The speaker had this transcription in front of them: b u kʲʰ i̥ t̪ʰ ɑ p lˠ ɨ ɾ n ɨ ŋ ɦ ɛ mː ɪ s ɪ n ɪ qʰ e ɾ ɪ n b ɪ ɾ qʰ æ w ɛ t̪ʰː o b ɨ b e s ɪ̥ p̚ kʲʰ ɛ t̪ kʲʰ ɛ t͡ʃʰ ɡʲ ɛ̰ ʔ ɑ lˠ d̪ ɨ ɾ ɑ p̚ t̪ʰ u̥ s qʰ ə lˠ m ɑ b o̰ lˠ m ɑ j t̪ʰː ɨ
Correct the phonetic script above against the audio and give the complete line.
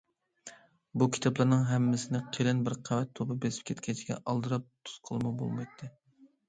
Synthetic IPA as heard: b u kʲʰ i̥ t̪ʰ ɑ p lˠ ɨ ɾ n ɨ ŋ ɦ ɛ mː ɪ s ɪ n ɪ qʰ e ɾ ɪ n b ɪ ɾ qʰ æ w ɛ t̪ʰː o b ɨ b e s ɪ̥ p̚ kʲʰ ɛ t̪ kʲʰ ɛ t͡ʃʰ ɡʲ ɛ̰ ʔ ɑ lˠ d̪ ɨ ɾ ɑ p̚ t̪ʰ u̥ s qʰ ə lˠ m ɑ b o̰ lˠ m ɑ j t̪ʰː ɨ